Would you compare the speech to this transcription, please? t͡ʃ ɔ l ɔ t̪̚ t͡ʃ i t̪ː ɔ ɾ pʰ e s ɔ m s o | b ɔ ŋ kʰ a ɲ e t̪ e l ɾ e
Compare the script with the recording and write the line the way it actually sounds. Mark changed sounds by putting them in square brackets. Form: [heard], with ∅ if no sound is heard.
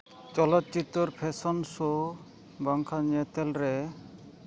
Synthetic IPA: t͡ʃ ɔ l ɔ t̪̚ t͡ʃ i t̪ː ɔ ɾ pʰ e s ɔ [n] s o | b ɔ ŋ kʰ a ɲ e t̪ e l ɾ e